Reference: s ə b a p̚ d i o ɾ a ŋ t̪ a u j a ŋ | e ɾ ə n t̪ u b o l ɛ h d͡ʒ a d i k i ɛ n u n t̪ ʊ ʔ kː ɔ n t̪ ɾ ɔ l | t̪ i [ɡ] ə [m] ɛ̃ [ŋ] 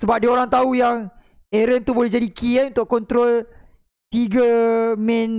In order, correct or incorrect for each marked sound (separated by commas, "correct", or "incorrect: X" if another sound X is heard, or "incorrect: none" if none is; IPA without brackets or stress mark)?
correct, correct, incorrect: n